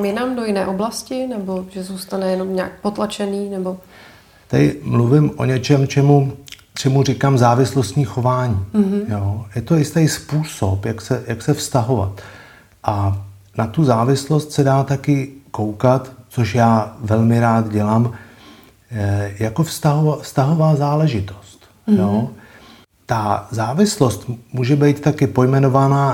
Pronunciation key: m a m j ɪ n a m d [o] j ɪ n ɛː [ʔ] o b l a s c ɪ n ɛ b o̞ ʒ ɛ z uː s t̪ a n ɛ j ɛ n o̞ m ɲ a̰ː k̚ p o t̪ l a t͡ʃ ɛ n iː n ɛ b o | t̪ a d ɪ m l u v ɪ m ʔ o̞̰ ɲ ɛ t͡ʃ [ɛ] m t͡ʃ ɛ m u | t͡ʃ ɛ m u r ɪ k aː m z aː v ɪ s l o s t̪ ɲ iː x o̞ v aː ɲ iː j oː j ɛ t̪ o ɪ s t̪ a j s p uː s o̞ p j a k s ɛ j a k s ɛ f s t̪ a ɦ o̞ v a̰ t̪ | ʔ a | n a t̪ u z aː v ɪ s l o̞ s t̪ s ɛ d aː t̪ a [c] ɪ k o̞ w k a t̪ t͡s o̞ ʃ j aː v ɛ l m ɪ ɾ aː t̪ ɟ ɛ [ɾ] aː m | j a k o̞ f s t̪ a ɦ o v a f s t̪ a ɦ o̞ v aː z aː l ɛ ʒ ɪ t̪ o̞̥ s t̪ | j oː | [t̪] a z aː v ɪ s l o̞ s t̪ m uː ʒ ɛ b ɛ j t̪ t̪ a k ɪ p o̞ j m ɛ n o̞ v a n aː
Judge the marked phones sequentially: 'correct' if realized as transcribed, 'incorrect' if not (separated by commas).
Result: correct, correct, correct, incorrect, incorrect, correct